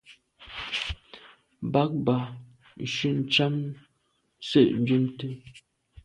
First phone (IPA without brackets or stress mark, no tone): b